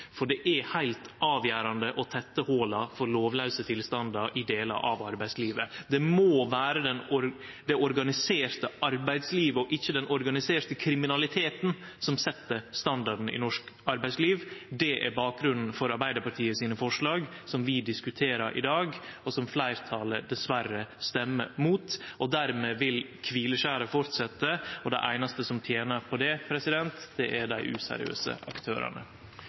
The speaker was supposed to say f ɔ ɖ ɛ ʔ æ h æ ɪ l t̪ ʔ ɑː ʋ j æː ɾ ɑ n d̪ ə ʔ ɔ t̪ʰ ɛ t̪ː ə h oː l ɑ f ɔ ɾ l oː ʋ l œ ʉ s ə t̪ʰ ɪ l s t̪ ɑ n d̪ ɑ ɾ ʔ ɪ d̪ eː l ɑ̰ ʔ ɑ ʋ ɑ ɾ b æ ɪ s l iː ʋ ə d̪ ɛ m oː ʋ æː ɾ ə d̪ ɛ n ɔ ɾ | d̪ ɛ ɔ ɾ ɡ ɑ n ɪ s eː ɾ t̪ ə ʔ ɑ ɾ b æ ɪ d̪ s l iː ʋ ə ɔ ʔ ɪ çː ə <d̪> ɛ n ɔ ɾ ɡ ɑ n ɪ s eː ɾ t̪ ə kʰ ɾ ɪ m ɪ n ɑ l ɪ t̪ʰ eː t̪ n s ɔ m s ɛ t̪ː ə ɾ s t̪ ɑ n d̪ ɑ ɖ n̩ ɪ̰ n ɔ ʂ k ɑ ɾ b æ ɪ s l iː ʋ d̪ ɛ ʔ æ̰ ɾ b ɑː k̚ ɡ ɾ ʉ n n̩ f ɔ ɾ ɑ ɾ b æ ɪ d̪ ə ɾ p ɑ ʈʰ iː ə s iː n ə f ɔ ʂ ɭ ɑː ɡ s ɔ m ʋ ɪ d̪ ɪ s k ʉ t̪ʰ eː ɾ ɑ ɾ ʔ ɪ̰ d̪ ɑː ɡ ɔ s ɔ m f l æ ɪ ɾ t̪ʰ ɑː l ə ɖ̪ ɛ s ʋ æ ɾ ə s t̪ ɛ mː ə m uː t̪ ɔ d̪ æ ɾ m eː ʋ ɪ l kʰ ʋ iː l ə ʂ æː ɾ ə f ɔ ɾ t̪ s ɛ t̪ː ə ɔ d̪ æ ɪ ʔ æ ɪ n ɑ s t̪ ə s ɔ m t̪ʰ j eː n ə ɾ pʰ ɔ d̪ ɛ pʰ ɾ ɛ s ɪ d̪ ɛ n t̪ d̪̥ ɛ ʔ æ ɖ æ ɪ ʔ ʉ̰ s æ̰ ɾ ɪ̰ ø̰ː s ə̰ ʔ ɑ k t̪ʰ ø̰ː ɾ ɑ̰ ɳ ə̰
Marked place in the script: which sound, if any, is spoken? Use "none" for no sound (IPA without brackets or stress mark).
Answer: d̪